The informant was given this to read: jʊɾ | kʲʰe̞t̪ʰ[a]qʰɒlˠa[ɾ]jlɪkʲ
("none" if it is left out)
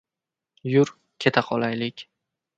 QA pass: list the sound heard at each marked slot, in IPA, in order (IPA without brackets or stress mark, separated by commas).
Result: a, none